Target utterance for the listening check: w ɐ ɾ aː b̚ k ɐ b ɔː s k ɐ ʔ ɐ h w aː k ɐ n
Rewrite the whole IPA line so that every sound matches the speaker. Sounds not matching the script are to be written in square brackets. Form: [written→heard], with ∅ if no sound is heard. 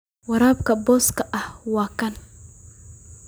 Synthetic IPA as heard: w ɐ ɾ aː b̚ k ɐ b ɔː s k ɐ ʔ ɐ h w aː k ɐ n